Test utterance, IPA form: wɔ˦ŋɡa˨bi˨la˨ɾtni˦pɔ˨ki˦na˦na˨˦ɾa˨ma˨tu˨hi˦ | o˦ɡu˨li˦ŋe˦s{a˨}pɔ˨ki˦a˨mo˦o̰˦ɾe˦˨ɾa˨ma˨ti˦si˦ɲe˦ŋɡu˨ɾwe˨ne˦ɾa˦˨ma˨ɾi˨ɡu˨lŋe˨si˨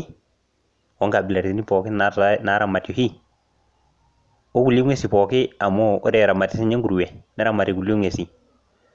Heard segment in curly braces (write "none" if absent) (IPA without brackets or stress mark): i˨